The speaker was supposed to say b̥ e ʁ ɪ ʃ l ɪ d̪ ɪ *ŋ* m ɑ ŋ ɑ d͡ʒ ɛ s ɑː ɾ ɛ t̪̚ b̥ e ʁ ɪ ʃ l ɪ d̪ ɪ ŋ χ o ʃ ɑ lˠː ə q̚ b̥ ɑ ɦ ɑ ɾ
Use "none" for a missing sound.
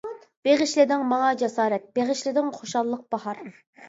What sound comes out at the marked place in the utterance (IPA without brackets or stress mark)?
ŋ